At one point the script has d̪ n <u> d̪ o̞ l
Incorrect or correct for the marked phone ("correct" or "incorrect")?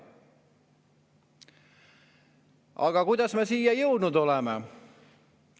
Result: correct